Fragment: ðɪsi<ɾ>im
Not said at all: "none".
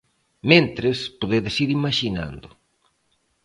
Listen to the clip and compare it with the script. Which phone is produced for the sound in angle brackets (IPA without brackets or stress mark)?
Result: ɾ